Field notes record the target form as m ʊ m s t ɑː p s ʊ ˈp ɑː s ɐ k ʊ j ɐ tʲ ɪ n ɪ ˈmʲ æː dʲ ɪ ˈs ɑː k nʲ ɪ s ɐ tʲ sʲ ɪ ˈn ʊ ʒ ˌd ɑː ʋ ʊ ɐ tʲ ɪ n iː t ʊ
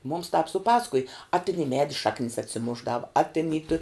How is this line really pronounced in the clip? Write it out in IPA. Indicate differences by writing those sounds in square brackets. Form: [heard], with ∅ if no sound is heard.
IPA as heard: m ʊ m s t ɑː p s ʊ ˈp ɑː s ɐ k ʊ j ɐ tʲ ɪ n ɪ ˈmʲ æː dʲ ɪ [ˈʃ] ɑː k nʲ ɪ s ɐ tʲ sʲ ɪ [ˈm] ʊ ʒ ˌd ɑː ʋ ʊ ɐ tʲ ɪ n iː t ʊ